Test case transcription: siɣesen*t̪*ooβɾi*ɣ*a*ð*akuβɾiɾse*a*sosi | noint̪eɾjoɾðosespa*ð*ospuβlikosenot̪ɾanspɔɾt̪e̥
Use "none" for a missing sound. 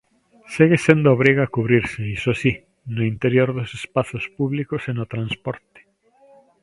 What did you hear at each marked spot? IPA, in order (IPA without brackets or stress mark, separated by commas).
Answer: d̪, ɣ, none, i, θ